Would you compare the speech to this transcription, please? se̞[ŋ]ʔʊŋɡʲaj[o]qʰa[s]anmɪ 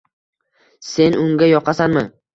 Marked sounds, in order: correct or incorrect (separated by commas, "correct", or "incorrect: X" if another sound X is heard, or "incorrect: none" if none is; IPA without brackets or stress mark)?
incorrect: n, incorrect: ɒ, correct